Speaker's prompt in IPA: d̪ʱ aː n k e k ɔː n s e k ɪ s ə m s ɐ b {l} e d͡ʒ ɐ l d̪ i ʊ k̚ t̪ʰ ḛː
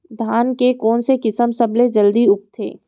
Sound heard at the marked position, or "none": l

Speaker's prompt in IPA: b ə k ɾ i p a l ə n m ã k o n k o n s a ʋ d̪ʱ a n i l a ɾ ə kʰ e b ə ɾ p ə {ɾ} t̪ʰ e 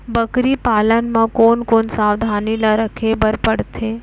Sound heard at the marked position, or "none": ɽ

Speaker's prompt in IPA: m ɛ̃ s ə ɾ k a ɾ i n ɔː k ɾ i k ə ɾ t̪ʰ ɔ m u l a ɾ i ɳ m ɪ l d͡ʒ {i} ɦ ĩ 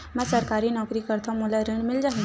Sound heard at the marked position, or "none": a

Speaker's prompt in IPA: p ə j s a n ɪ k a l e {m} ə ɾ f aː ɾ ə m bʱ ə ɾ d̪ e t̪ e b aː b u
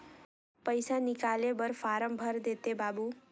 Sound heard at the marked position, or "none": b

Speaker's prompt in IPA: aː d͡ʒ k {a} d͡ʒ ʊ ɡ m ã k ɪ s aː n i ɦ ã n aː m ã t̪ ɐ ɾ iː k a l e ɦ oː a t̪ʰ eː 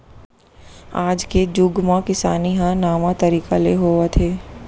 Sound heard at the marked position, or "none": e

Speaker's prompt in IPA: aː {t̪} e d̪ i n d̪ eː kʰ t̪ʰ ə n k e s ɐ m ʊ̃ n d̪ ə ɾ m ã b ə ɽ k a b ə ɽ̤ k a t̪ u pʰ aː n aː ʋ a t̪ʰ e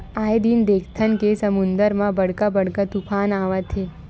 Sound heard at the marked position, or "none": none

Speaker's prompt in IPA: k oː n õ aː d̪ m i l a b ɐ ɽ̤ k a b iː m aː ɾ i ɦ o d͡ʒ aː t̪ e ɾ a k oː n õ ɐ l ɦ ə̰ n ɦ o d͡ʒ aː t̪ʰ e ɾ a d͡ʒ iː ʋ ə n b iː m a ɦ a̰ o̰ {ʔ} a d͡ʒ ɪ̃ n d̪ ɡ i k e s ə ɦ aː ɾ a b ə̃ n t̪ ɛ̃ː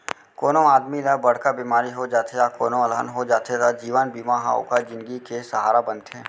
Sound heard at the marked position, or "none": k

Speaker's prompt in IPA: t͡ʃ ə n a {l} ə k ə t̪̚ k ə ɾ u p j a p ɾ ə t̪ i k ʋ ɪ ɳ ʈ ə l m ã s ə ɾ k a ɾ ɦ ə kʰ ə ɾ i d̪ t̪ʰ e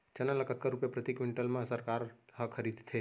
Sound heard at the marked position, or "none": l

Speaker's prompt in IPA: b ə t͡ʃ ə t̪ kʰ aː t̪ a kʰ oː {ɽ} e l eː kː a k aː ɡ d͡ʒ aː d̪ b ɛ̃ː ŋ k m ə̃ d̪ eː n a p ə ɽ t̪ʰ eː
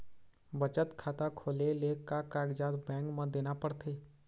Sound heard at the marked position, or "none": l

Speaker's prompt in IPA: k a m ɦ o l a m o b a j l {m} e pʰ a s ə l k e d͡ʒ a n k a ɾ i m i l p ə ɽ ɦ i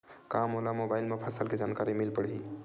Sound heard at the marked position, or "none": m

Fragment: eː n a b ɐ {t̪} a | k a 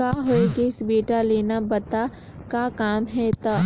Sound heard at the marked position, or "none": t̪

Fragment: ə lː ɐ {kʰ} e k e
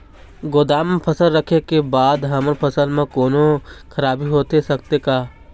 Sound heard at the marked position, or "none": kʰ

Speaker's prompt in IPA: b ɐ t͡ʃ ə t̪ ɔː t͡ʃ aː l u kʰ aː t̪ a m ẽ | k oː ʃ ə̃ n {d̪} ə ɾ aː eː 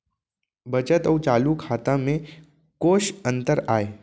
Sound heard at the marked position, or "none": t̪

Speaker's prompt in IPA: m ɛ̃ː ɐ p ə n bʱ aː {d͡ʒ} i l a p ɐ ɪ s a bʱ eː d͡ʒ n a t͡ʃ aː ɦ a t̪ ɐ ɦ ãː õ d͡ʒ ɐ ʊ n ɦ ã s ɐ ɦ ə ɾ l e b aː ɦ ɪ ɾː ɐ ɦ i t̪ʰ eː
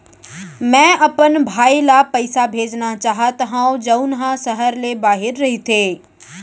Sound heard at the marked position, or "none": none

